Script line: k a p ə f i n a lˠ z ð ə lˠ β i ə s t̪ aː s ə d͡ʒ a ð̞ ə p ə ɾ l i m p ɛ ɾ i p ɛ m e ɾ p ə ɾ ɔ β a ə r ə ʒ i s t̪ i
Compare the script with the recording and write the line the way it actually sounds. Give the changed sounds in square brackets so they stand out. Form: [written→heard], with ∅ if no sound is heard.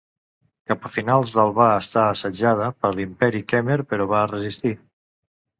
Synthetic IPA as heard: k a p ə f i n a lˠ z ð ə lˠ β [i→a] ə s t̪ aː s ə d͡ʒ a ð̞ ə p ə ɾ l i m p ɛ ɾ i [p→k] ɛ m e ɾ p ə ɾ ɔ β a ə r ə [ʒ→z] i s t̪ i